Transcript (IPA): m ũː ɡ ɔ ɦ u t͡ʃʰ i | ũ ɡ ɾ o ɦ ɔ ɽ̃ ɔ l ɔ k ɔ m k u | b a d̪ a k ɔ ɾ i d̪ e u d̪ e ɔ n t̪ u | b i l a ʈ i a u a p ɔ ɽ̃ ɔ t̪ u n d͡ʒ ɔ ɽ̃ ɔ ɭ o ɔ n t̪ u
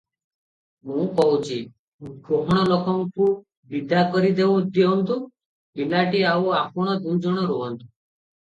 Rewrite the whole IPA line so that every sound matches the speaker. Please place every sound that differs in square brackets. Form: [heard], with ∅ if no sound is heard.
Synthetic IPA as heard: m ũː [k] ɔ ɦ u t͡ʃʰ i | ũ ɡ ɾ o ɦ ɔ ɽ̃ ɔ l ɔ k ɔ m k u | b [i] d̪ a k ɔ ɾ i d̪ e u d̪ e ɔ n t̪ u | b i l a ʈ i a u a p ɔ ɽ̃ ɔ [d̪] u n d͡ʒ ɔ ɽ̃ ɔ [ɾ] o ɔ n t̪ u